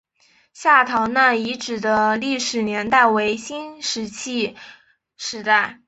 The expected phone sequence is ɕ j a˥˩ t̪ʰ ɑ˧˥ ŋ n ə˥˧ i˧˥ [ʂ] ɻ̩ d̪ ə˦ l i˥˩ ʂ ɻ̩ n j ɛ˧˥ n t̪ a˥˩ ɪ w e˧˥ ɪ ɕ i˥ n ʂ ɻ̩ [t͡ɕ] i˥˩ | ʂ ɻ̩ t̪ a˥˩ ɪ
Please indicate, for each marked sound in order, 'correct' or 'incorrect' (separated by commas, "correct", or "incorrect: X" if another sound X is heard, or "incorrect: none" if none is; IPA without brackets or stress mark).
incorrect: ʈ͡ʂ, incorrect: t͡ɕʰ